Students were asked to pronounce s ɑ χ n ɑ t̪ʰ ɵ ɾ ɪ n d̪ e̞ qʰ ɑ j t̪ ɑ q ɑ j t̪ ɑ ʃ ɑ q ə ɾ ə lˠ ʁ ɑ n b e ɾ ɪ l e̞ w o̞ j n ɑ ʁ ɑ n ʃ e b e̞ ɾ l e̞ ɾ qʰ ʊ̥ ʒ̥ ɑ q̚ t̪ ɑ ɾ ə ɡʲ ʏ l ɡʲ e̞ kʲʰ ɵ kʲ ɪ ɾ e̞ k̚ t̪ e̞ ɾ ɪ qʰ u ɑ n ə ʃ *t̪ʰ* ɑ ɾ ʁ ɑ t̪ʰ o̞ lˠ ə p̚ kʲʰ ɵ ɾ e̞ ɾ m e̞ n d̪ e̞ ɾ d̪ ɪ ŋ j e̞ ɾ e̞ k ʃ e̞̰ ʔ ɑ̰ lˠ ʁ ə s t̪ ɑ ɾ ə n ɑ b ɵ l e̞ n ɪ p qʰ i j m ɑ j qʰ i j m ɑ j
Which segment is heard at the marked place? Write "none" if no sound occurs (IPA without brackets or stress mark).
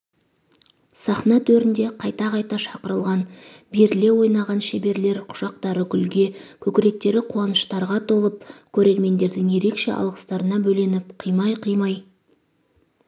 t̪